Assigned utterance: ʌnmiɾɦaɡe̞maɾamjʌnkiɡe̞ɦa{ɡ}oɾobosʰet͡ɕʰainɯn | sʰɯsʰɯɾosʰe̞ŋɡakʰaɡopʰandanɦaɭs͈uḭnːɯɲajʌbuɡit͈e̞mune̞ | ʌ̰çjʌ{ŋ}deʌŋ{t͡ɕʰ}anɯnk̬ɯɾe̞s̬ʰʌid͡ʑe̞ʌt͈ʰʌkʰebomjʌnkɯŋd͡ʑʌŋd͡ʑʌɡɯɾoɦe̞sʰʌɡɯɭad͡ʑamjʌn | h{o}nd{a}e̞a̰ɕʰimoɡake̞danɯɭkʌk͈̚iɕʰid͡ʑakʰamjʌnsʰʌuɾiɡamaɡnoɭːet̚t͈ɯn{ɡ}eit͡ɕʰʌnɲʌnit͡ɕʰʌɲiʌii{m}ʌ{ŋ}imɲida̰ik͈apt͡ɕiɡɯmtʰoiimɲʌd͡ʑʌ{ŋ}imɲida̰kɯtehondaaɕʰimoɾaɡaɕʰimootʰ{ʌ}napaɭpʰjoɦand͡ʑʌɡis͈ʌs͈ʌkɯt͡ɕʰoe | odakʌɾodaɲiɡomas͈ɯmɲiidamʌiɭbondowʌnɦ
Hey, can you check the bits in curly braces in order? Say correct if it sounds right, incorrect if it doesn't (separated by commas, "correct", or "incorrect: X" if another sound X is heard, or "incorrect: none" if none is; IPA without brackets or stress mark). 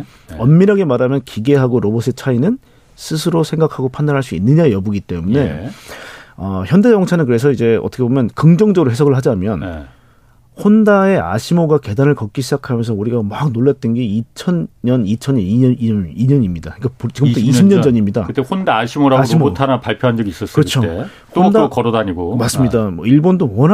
correct, incorrect: n, correct, correct, correct, correct, incorrect: ɲ, incorrect: ɲ, incorrect: ɲ, incorrect: a